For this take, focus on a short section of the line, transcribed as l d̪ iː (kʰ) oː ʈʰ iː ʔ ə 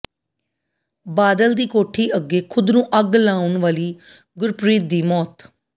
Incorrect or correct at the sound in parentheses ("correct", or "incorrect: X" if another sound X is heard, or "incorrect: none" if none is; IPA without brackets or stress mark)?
incorrect: k